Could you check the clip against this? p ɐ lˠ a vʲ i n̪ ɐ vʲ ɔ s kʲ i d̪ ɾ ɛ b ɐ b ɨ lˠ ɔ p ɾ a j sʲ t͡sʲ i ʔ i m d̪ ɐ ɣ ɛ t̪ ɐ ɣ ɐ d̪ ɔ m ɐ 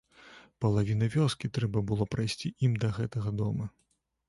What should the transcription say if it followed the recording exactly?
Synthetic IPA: p ɐ lˠ a vʲ i n̪ ɐ vʲ ɔ s kʲ i t̪ ɾ ɛ b ɐ b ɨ lˠ ɔ p ɾ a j sʲ t͡sʲ i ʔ i m d̪ ɐ ɣ ɛ t̪ ɐ ɣ ɐ d̪ ɔ m ɐ